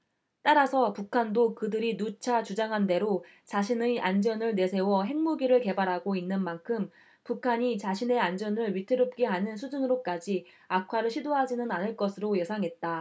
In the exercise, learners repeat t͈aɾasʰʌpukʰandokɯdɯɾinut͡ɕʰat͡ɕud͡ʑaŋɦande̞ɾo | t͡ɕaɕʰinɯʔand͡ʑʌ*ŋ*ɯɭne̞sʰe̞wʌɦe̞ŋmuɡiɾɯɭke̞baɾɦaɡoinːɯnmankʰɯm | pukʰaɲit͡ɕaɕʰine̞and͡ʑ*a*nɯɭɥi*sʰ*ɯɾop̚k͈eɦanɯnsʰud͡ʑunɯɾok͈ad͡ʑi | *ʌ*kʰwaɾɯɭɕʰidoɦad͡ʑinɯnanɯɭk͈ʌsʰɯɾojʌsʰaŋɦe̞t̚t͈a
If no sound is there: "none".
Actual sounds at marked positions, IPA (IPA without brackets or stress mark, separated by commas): n, ʌ, tʰ, a